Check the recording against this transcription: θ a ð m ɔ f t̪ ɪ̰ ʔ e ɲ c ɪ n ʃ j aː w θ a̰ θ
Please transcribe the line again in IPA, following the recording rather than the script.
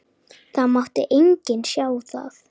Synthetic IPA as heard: θ a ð m ɔ h t̪ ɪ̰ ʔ e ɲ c ɪ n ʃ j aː w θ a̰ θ